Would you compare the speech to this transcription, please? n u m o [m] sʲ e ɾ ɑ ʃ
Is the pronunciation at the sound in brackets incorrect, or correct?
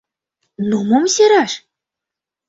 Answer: correct